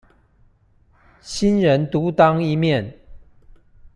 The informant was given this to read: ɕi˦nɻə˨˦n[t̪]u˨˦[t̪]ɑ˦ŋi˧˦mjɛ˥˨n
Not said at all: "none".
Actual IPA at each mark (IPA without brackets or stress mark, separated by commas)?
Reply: t̪, t̪